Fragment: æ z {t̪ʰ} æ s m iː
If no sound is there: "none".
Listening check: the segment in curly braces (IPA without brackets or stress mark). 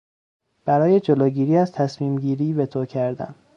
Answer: t̪ʰ